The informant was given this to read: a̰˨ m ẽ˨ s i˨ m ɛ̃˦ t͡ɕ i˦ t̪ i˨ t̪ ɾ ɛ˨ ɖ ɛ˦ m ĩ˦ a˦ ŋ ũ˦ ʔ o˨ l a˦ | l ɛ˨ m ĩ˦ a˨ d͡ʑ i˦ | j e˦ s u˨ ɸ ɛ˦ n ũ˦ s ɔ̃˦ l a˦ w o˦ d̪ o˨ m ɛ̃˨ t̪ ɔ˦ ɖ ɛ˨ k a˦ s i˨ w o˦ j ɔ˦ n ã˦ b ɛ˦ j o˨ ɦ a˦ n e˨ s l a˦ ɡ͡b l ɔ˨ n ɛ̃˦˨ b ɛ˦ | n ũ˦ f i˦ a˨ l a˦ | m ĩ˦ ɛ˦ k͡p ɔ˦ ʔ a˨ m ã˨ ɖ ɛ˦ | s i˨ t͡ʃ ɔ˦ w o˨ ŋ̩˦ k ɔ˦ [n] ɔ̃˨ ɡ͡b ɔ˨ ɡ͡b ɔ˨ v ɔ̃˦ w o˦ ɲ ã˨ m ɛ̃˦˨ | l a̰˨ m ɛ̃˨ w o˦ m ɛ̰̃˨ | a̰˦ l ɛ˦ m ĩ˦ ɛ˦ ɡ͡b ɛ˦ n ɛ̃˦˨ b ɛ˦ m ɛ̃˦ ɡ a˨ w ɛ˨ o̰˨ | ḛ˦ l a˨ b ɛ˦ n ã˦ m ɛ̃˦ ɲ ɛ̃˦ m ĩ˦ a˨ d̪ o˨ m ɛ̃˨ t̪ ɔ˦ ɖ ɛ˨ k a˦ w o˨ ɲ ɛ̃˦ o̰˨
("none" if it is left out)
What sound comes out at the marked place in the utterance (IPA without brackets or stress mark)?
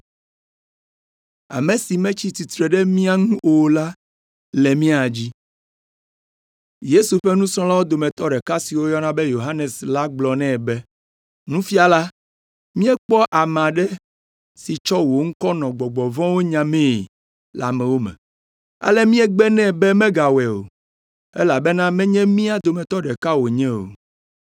n